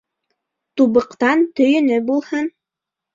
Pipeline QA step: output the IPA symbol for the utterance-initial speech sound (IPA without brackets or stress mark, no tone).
t̪